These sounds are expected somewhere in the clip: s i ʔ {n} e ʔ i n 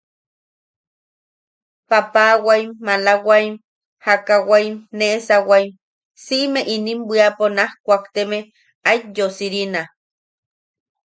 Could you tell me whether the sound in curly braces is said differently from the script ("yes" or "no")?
yes